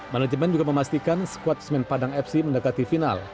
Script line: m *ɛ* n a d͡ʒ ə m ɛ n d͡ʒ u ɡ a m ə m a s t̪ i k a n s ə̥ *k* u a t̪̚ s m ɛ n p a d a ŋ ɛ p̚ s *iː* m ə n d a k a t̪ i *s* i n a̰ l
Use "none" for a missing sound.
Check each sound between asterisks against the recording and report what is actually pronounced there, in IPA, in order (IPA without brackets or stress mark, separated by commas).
a, k, i, f